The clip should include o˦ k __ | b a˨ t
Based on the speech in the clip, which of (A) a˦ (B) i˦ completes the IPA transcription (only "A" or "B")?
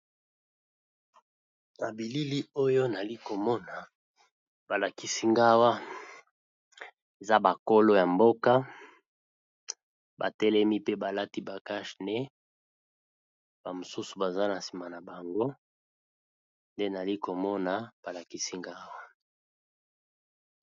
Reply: A